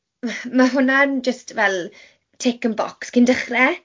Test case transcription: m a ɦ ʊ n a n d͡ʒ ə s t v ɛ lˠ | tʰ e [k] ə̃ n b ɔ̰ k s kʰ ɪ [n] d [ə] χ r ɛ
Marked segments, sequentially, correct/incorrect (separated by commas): correct, correct, correct